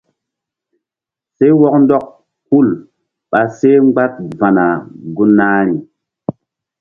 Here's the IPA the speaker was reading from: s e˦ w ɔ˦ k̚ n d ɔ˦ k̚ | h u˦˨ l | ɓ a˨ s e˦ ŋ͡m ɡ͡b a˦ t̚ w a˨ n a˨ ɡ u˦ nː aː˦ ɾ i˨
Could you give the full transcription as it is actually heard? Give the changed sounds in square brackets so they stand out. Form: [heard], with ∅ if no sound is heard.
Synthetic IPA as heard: s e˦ w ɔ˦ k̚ n d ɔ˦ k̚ | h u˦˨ l | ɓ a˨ s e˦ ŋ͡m ɡ͡b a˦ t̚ [v] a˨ n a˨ ɡ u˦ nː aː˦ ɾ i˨